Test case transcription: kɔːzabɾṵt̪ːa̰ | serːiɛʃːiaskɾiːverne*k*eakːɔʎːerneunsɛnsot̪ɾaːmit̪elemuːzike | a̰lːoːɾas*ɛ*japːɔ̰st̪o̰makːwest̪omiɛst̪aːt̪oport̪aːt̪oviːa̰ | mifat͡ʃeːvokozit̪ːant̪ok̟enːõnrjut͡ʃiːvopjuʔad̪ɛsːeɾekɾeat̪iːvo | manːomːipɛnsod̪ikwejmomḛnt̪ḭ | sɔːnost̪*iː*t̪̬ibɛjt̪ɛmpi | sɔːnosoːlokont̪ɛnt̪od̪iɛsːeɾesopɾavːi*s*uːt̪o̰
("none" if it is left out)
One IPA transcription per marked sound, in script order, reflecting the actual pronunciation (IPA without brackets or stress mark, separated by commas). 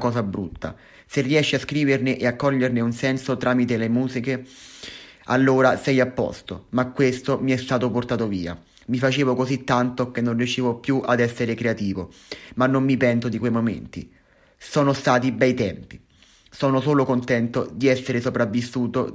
ʔ, ɛ, aː, sː